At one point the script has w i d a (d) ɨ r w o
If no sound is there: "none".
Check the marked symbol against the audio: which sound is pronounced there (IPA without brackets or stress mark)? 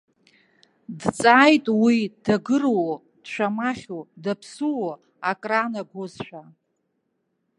ɡ